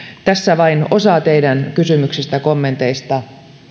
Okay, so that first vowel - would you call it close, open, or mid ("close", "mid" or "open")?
open